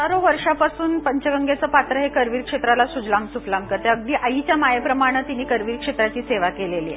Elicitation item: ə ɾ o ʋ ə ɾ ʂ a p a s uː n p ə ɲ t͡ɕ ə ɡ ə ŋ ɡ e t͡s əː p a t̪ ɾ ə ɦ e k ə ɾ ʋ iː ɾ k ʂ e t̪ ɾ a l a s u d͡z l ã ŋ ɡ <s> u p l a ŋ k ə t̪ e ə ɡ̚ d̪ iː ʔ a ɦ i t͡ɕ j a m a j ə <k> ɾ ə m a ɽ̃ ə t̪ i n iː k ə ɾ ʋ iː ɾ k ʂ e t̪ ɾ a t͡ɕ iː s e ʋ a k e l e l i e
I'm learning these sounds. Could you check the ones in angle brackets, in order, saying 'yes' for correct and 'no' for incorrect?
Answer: yes, no

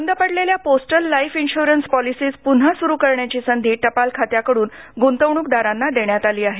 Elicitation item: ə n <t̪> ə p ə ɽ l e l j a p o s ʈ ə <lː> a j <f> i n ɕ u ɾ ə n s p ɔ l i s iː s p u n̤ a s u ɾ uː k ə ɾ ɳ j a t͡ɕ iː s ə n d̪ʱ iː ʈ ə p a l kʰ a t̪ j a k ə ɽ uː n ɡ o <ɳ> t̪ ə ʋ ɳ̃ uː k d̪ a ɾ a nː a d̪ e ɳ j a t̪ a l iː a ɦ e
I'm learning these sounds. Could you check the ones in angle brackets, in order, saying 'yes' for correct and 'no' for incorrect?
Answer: no, yes, yes, no

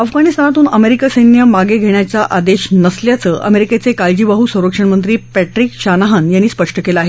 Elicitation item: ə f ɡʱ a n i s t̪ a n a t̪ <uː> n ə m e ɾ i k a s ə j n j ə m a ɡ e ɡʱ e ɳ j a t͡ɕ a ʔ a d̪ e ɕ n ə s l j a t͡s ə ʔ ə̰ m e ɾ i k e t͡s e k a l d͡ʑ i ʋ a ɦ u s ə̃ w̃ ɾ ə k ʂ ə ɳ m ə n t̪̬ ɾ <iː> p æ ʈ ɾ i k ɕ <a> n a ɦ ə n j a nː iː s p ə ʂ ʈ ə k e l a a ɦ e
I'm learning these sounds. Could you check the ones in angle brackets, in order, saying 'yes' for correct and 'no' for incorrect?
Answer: yes, yes, yes

